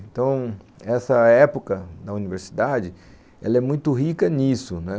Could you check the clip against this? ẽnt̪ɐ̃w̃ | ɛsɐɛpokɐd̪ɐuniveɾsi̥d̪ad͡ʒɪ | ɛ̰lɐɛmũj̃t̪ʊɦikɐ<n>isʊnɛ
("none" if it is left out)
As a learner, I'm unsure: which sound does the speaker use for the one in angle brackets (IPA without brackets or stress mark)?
n